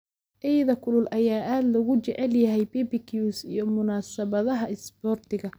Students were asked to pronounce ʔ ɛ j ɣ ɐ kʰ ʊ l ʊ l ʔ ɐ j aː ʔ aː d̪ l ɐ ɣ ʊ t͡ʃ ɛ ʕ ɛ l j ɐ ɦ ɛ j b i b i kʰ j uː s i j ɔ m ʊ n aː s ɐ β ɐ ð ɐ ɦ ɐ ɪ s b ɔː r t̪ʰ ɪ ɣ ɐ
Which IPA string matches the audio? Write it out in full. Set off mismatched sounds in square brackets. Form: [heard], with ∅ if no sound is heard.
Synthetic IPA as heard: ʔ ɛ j [ð] ɐ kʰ ʊ l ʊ l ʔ ɐ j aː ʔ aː d̪ l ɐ ɣ ʊ t͡ʃ ɛ ʕ ɛ l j ɐ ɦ ɛ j b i b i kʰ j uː s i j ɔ m ʊ n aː s ɐ β ɐ ð ɐ ɦ ɐ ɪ s b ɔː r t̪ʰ ɪ ɣ ɐ